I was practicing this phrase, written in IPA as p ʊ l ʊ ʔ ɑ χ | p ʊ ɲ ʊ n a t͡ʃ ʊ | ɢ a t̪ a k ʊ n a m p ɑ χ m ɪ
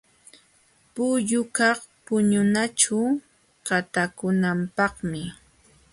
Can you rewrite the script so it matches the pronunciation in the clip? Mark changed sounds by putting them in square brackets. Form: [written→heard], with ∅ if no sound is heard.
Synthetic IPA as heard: p ʊ [l→ʎ] ʊ [ʔ→k] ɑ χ | p ʊ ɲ ʊ n a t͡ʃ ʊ | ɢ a t̪ a k ʊ n a m p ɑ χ m ɪ